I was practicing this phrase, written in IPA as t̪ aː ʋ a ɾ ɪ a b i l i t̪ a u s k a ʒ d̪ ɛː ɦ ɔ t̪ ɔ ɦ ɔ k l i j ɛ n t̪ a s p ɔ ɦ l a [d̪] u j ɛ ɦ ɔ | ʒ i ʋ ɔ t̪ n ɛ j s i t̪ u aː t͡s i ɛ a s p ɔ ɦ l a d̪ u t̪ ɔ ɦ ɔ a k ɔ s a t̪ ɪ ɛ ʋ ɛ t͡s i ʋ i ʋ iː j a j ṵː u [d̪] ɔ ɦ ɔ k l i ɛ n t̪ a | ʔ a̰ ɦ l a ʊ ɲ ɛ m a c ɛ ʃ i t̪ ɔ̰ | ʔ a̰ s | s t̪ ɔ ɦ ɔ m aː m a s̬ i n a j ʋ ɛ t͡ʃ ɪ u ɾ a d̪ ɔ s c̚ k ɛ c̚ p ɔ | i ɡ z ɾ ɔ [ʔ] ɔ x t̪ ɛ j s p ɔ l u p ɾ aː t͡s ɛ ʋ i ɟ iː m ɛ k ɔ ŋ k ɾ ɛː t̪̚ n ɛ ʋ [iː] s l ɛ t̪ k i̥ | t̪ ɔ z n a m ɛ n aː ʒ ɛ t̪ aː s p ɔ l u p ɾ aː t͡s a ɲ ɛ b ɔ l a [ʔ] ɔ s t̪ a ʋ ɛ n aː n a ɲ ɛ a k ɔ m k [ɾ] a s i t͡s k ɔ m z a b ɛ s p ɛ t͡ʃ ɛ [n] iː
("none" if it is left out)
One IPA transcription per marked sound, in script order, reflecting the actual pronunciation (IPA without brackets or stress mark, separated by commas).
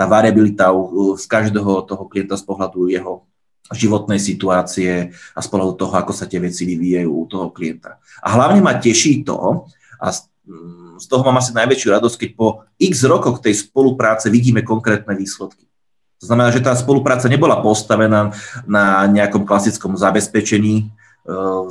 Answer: d̪, t̪, k, iː, p, l, ɲ